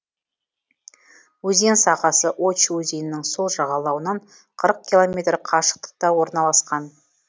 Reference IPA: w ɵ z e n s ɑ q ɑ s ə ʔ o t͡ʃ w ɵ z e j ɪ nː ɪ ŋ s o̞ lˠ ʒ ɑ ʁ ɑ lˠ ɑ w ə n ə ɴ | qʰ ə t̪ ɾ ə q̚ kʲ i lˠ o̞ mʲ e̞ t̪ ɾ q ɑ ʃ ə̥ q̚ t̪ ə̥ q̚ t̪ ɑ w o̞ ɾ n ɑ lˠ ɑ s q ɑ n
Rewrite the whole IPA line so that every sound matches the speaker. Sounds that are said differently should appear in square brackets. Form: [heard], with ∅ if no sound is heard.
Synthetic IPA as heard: w ɵ z e n s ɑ q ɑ s ə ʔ o t͡ʃ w ɵ z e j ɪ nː ɪ ŋ s o̞ lˠ ʒ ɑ ʁ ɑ lˠ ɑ w ə n [ɑ] ɴ | qʰ ə [∅] ɾ ə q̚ kʲ i lˠ o̞ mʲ e̞ t̪ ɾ [qʰ] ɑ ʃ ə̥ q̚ t̪ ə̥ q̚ t̪ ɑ w o̞ ɾ n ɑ lˠ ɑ s q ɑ n

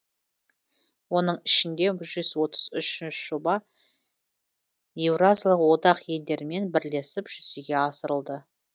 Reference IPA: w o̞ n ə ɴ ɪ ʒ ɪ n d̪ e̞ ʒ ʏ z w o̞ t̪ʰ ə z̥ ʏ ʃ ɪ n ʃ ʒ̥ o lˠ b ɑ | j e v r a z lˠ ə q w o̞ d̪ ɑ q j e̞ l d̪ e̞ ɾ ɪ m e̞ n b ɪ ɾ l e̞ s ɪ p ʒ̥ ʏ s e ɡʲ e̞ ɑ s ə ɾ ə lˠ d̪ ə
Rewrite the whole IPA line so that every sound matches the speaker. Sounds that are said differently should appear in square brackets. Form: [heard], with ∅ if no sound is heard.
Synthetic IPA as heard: w o̞ n ə ɴ ɪ [ʃ] ɪ n d̪ e̞ ʒ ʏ z w o̞ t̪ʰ ə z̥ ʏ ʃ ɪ n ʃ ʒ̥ o [∅] b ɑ | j e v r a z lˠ ə q w o̞ d̪ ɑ q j e̞ l d̪ e̞ ɾ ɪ m e̞ n b ɪ ɾ l e̞ s ɪ p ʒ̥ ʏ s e ɡʲ e̞ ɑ s ə ɾ ə lˠ d̪ ə

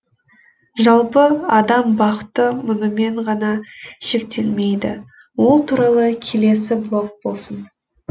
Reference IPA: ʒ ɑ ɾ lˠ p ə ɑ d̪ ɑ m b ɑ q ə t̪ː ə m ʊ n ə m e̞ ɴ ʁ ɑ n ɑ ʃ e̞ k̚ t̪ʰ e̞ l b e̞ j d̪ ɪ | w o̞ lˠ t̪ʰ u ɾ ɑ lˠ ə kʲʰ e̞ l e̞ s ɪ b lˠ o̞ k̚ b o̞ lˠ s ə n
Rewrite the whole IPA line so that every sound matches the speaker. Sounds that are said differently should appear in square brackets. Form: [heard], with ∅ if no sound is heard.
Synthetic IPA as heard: ʒ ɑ [∅] lˠ p ə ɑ d̪ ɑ m b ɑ q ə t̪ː ə m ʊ n ə m e̞ ɴ ʁ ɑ n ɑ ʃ e̞ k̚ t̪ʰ e̞ l [m] e̞ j d̪ ɪ | w o̞ lˠ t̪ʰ u ɾ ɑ lˠ ə kʲʰ e̞ l e̞ s ɪ b lˠ o̞ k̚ b o̞ lˠ s ə n

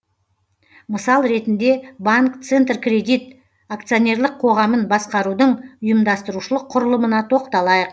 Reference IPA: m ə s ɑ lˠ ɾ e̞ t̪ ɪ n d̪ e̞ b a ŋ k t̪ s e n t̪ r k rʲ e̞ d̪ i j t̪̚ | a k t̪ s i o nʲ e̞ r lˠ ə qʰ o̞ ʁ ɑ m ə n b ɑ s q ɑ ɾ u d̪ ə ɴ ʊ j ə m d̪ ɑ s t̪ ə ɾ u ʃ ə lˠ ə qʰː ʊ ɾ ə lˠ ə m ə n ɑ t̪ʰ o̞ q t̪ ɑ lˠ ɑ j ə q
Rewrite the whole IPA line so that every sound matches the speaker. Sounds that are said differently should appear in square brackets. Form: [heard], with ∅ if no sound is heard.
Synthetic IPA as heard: m ə s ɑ lˠ ɾ e̞ t̪ ɪ n d̪ e̞ b a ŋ k t̪ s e n t̪ r k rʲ e̞ d̪ i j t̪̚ | a k t̪ s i o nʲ e̞ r lˠ ə qʰ o̞ ʁ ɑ m ə n b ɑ s q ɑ ɾ u d̪ ə ɴ ʊ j ə m d̪ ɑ s t̪ ə ɾ u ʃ ə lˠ ə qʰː ʊ ɾ ə lˠ ə m ə n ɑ t̪ʰ o̞ q t̪ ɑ lˠ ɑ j ə q

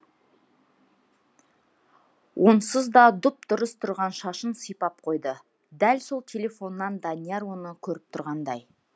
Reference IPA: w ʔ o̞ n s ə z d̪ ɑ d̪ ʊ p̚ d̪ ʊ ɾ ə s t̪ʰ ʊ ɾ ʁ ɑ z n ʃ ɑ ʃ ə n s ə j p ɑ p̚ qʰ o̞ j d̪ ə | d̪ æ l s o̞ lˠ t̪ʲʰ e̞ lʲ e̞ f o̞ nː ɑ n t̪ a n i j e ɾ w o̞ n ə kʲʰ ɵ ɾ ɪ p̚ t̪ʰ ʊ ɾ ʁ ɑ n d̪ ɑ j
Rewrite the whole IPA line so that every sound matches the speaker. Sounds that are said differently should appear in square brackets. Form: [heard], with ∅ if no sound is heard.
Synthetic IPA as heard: w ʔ o̞ n s ə z d̪ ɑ d̪ ʊ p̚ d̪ ʊ ɾ ə s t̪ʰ ʊ ɾ ʁ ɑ [∅] n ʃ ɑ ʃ ə n s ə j p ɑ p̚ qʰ o̞ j d̪ ə | d̪ æ l s o̞ lˠ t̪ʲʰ e̞ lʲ e̞ f o̞ nː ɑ n [d̪] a n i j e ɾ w o̞ n ə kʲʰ ɵ ɾ ɪ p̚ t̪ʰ ʊ ɾ ʁ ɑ n d̪ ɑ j

